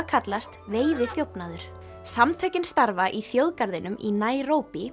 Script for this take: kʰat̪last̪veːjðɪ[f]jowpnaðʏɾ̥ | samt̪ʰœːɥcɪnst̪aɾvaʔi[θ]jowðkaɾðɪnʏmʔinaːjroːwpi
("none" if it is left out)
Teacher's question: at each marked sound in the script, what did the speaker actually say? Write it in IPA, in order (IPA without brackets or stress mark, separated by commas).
θ, θ